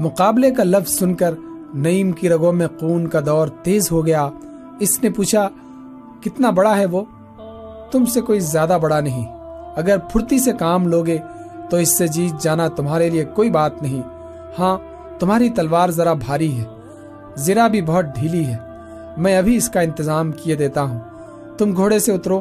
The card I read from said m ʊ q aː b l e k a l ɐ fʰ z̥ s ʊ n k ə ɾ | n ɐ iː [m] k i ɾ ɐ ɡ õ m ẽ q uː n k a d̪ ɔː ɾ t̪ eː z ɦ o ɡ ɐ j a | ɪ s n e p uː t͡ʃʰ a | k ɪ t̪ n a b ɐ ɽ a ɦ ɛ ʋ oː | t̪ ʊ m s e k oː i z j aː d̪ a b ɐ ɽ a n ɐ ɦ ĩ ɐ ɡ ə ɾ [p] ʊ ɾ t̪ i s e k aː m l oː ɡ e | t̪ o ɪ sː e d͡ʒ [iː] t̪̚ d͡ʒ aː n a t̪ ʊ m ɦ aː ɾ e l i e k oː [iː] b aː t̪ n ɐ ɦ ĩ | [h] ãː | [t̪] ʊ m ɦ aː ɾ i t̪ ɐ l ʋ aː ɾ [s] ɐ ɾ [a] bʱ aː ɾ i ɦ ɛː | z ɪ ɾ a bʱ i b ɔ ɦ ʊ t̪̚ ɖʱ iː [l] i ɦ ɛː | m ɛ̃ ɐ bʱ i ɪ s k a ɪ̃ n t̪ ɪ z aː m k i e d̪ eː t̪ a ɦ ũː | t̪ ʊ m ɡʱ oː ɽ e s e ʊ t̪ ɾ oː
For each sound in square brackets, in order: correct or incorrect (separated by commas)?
correct, incorrect, correct, incorrect, correct, correct, incorrect, correct, correct